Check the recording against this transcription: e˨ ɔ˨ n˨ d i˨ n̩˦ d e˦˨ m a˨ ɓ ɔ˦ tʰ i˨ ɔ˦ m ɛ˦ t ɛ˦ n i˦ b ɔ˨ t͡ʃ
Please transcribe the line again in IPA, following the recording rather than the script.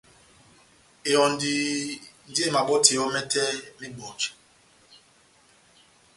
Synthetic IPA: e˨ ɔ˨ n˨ d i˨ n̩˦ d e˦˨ m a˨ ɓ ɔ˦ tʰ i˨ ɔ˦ m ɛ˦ t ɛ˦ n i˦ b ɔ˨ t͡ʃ